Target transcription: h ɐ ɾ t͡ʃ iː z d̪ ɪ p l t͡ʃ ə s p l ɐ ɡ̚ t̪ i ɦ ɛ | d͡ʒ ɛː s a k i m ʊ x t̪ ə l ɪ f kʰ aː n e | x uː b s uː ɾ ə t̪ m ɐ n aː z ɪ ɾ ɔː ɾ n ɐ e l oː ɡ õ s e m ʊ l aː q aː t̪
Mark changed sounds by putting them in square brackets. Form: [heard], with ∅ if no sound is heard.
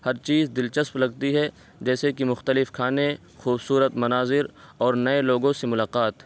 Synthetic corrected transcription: h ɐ ɾ t͡ʃ iː z d̪ ɪ [∅] l t͡ʃ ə s p l ɐ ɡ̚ t̪ i ɦ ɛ | d͡ʒ ɛː s [e] k i m ʊ x t̪ ə l ɪ f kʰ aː n e | x uː b s uː ɾ ə t̪ m ɐ n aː z ɪ ɾ ɔː ɾ n ɐ e l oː ɡ õ s e m ʊ l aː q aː t̪